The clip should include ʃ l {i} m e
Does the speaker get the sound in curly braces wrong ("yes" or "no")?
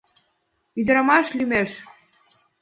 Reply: yes